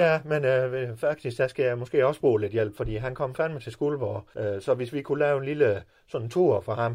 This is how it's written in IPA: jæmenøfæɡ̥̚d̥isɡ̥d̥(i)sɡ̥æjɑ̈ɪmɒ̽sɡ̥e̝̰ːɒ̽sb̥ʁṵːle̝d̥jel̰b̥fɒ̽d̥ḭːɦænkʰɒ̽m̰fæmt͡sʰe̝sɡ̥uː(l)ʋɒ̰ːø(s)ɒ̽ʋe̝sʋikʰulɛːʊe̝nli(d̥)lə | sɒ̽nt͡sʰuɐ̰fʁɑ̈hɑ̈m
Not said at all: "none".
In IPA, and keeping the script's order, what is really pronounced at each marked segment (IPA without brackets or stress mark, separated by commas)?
æ, l, s, none